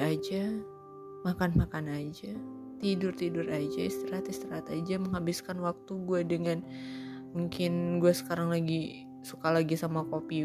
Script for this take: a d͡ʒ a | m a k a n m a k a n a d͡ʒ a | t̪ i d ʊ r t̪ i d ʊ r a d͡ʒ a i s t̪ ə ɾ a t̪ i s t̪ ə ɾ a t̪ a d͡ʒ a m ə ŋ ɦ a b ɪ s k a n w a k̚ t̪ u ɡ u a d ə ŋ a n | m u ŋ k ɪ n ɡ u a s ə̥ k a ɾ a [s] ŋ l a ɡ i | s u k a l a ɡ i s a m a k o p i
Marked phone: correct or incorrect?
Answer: incorrect